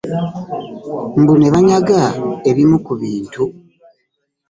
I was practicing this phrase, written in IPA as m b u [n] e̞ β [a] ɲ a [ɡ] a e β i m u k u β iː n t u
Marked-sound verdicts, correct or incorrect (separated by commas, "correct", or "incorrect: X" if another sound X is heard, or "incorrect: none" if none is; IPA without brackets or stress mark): correct, correct, correct